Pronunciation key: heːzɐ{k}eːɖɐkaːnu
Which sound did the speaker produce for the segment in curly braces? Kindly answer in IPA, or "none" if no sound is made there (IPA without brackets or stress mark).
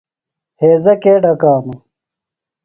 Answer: k